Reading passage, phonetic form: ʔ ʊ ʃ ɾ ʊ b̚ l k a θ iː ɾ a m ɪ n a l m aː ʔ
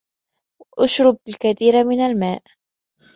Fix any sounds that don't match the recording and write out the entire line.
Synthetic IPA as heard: ʔ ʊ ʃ ɾ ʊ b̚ l k a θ iː ɾ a m ɪ n a l m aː ʔ